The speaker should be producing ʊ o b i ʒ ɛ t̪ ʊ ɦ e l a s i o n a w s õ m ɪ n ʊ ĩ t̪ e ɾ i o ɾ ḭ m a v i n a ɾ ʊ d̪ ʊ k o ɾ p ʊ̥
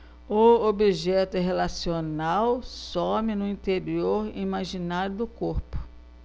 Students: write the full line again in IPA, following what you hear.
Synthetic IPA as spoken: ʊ o b i ʒ ɛ t̪ ʊ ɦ e l a s i o n a w s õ m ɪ n ʊ ĩ t̪ e ɾ i o ɾ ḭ m a ʒ i n a ɾ ʊ d̪ ʊ k o ɾ p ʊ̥